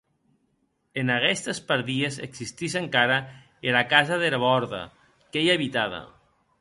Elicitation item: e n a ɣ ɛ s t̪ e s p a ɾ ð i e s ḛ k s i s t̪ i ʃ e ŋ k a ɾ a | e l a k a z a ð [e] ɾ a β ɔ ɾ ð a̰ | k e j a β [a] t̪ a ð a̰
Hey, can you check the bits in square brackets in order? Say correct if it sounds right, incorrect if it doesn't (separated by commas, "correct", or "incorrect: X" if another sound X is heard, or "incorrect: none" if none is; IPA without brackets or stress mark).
correct, incorrect: i